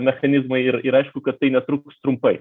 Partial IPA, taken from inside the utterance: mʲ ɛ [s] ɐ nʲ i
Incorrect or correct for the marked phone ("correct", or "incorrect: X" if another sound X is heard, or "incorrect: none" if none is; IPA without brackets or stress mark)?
incorrect: x